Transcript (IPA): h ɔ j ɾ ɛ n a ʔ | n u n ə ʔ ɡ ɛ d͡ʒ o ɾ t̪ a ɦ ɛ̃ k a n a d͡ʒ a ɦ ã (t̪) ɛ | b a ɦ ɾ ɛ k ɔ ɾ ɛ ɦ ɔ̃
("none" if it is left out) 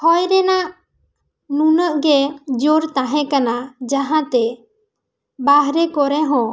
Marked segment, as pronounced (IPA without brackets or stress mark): t̪